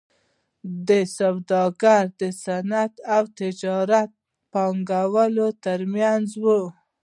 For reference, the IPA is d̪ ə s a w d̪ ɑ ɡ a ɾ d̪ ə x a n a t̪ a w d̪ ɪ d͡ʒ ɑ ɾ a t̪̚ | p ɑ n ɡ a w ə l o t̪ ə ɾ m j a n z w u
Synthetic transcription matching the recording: d̪ ə s a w d̪ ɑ ɡ a ɾ d̪ ə s a n a t̪ a w t̪ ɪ d͡ʒ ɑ ɾ a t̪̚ | p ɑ ŋ ɡ a w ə l o t̪ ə ɾ m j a n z w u